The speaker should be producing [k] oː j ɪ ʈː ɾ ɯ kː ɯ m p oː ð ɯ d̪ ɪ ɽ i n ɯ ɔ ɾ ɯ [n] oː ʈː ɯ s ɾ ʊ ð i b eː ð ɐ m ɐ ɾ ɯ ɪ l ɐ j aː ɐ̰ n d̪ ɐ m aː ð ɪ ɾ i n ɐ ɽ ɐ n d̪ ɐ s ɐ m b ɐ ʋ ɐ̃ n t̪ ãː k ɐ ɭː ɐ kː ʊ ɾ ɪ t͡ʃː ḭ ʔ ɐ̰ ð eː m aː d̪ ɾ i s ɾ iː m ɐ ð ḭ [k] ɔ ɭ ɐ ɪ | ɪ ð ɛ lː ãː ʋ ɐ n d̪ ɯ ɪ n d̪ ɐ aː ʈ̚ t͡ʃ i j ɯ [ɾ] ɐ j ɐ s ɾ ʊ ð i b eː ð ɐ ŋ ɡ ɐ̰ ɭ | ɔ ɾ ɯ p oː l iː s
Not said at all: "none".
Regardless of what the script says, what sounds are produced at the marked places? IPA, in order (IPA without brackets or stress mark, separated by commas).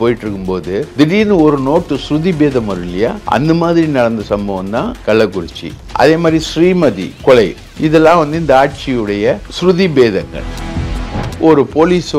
p, n, k, ɽ